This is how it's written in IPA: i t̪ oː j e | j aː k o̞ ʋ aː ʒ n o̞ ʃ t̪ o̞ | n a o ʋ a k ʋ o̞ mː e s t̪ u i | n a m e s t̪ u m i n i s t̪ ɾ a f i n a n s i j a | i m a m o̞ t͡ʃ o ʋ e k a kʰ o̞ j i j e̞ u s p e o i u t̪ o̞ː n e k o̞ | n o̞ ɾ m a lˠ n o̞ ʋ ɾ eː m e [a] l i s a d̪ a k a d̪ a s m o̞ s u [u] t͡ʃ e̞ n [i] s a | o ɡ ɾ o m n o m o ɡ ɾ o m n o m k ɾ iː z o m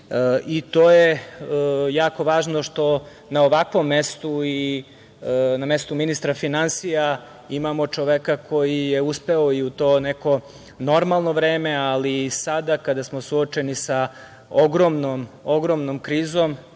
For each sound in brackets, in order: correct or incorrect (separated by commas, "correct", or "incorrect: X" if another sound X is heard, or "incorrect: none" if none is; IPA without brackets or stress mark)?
correct, incorrect: o, correct